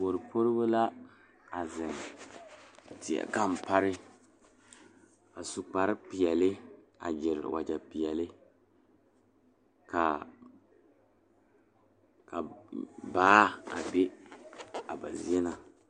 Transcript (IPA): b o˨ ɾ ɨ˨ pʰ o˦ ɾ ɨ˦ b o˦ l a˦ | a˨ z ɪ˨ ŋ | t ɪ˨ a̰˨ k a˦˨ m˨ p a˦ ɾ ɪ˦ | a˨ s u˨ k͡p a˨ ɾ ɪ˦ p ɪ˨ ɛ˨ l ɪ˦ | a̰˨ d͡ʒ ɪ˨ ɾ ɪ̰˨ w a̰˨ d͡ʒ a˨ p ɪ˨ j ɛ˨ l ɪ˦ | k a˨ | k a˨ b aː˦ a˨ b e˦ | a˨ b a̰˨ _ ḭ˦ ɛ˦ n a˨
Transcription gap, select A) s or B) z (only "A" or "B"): B